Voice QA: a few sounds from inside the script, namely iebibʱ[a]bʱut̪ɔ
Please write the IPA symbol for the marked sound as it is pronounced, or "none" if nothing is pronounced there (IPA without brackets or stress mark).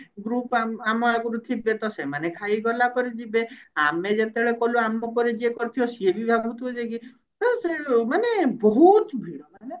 a